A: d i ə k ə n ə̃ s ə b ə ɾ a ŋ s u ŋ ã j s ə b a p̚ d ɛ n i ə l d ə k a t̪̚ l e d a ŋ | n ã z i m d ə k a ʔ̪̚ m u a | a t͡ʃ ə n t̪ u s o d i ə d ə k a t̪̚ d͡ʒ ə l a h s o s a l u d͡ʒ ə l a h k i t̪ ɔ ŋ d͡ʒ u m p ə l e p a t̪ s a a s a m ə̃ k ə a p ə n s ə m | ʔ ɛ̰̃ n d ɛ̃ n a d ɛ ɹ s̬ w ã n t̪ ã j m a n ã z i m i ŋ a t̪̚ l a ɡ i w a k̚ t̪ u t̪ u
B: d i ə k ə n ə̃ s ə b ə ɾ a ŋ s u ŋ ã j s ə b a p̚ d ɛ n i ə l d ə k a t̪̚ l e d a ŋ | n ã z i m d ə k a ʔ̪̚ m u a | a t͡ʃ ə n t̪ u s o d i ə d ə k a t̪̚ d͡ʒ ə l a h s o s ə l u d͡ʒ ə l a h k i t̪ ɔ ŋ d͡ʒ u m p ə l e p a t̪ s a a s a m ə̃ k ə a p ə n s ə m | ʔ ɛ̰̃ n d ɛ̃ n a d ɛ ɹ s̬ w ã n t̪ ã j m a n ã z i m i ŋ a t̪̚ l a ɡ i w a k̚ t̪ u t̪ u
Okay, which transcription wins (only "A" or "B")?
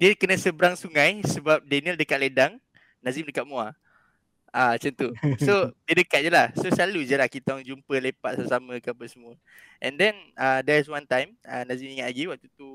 A